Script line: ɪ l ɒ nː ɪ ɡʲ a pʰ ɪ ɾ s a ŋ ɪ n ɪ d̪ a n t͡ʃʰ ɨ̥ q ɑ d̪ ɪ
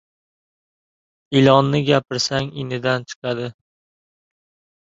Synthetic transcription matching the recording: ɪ l ɒ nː ɪ ɡʲ a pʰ ɪ ɾ s a ŋ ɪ n ɪ d̪ a n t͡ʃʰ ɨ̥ q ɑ d̪ ɪ